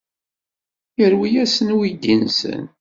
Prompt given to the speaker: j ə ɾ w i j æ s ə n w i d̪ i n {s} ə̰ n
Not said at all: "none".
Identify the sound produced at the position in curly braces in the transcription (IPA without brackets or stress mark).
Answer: s